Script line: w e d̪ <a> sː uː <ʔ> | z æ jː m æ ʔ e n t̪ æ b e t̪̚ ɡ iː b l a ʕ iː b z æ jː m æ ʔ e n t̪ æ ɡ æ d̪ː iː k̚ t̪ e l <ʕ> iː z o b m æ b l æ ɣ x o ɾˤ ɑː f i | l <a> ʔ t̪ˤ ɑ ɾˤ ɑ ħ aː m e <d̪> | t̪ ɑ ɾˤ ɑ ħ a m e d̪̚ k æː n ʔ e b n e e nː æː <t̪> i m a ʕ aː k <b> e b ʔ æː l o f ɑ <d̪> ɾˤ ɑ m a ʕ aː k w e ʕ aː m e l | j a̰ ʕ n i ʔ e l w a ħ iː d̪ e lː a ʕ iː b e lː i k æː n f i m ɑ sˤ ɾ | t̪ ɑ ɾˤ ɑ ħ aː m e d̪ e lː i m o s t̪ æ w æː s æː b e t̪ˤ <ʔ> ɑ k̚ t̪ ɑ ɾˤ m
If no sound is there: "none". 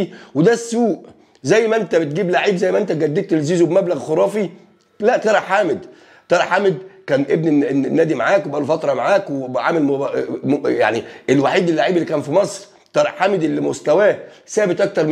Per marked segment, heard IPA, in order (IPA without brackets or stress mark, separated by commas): æ, ʔ, z, æ, d̪, d̪, w, t̪, ʔ